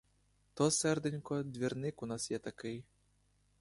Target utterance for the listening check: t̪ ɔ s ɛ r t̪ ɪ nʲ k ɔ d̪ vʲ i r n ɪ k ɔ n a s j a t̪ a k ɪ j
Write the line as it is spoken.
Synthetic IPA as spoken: t̪ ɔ s ɛ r d̪ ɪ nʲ k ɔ d̪ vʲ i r n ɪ k u n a s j ɛ t̪ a k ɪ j